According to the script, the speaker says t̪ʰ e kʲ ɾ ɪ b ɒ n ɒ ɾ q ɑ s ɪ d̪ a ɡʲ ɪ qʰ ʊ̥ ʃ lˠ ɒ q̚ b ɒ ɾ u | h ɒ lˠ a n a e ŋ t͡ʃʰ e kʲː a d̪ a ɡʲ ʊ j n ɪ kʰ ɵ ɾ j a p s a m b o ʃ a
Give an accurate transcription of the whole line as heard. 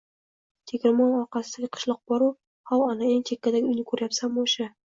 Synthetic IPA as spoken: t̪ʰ e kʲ ɾ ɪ m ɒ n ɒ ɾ q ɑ s ɪ d̪ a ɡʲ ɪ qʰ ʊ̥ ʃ lˠ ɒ q̚ b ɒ ɾ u | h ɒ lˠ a n a e ŋ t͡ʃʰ e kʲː a d̪ a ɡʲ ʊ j n ɪ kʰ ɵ ɾ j a p s a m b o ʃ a

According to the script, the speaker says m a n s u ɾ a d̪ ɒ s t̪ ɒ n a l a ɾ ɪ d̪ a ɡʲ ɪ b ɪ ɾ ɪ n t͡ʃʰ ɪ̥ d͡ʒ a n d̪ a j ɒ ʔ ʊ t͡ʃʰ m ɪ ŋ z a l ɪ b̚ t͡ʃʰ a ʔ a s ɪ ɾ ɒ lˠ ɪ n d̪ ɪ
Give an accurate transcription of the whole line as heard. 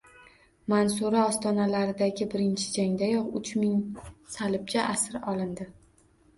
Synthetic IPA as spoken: m a n s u ɾ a ɒ s t̪ ɒ n a l a ɾ ɪ d̪ a ɡʲ ɪ b ɪ ɾ ɪ n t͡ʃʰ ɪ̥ d͡ʒ a ŋ d̪ a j ɒ q ʊ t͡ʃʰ m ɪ ŋ s a l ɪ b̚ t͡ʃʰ a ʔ a s ɪ ɾ ɒ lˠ ɪ n d̪ ɪ

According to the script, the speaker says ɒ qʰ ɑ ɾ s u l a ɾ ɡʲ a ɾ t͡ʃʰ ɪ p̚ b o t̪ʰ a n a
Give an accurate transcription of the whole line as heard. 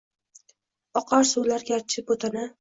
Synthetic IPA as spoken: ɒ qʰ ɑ ɾ s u l a ɾ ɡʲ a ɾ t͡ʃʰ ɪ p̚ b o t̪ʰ a n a

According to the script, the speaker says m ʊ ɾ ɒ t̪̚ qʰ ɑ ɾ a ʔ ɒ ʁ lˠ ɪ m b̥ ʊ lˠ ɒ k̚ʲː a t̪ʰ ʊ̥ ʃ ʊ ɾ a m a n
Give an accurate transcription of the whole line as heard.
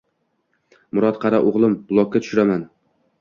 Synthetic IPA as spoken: m ʊ ɾ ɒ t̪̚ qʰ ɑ ɾ a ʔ o ʁ lˠ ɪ m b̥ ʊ lˠ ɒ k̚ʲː a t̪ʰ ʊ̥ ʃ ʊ ɾ a m a n

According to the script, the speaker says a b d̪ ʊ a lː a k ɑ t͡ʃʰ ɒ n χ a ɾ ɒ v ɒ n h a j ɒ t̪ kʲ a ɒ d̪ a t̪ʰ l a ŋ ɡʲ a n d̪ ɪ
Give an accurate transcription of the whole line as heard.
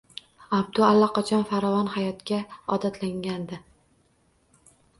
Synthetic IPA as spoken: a b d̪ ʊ a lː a q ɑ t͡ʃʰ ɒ n f a ɾ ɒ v ɒ n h a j ɒ t̪ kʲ a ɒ d̪ a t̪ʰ l a ŋ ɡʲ a n d̪ ɪ

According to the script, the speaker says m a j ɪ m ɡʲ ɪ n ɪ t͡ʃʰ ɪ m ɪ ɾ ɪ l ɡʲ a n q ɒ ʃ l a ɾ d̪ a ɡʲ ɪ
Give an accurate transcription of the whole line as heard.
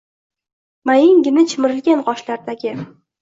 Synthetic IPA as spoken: m a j ɪ ŋ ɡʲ ɪ n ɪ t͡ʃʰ ɪ m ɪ ɾ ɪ l ɡʲ a n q ɒ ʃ l a ɾ d̪ a ɡʲ ɪ

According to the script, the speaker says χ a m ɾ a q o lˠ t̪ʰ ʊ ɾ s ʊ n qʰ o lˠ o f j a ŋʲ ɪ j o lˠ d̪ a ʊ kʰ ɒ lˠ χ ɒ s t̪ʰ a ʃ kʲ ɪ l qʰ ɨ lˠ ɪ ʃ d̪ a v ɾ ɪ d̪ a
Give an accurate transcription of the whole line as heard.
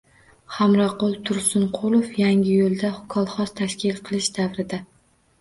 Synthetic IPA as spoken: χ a m ɾ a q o lˠ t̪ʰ ʊ ɾ s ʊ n qʰ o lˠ o f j a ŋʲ ɪ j o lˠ d̪ a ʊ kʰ ɒ lˠ χ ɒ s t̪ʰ a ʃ kʲ ɪ l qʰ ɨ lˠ ɪ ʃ d̪ a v ɾ ɪ d̪ a

